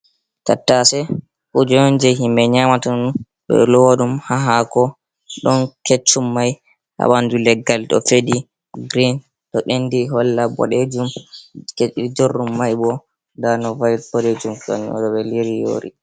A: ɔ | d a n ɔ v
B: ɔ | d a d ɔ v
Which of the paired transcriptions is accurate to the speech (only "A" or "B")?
A